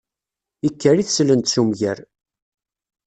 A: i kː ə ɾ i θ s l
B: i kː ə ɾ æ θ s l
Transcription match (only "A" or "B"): A